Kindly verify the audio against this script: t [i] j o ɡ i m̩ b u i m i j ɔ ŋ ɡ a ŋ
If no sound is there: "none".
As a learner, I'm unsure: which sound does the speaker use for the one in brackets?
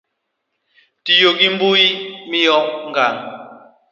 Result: i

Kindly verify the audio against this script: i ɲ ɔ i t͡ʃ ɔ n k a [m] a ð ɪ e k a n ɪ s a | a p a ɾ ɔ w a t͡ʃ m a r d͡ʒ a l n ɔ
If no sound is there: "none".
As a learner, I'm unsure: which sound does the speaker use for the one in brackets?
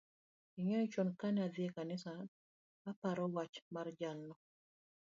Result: n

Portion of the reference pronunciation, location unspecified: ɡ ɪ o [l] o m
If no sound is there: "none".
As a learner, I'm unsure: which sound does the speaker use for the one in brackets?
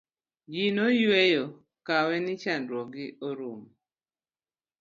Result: ɾ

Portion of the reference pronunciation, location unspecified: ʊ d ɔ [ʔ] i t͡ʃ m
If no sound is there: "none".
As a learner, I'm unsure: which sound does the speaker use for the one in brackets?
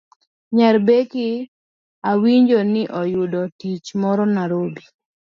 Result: t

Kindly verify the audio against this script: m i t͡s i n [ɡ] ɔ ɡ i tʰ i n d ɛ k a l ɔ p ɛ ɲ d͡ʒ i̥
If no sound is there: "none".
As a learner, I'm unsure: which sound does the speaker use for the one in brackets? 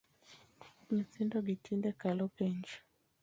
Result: d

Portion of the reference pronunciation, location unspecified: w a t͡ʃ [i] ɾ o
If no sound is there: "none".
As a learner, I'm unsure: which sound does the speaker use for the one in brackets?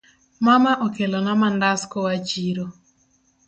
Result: i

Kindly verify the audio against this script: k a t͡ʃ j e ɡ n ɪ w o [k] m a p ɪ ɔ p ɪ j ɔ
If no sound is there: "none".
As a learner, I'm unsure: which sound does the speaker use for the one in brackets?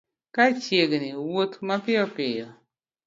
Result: t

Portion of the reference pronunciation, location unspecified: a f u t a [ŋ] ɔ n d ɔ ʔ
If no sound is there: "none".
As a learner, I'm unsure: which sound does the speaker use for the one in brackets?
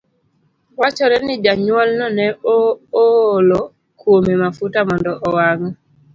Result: m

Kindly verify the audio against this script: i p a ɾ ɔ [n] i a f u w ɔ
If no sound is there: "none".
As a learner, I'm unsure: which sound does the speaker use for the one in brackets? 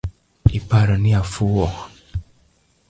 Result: n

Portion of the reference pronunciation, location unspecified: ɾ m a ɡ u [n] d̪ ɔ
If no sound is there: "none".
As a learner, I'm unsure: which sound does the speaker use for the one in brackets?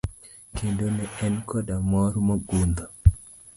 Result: n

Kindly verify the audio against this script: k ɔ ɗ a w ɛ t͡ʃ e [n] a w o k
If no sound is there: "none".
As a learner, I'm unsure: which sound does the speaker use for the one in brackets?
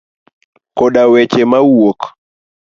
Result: m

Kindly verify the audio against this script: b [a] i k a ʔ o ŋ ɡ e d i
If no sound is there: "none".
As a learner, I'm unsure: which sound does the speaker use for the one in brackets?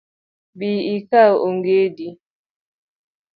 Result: i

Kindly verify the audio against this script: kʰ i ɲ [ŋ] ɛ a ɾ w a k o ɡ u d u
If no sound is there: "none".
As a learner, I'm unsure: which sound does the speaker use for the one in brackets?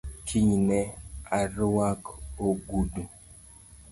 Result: n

